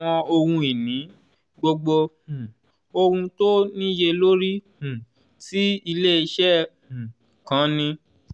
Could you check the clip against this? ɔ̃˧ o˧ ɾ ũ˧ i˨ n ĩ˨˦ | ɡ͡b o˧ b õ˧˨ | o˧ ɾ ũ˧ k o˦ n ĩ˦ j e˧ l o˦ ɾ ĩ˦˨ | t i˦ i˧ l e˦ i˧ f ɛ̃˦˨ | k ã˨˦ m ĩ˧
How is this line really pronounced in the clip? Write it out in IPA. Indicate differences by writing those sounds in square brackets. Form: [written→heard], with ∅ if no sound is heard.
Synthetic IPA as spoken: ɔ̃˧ o˧ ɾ ũ˧ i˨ n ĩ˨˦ | ɡ͡b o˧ [b→ɡ͡b] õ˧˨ | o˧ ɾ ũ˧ [k→t] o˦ n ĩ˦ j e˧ l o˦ ɾ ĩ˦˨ | t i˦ i˧ l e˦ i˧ [f→ʃ] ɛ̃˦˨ | k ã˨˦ [m→n] ĩ˧